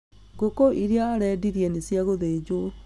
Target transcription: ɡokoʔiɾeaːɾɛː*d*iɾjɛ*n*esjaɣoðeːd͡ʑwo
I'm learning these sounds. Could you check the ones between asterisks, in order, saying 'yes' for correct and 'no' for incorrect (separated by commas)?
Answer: yes, yes